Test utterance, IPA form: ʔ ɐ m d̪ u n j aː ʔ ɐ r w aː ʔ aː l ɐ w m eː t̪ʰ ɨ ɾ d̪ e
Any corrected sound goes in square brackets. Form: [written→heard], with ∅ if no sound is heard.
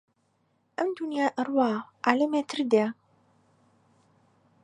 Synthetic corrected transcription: ʔ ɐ m d̪ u n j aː ʔ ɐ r w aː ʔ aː l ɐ [w→∅] m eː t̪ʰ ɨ ɾ d̪ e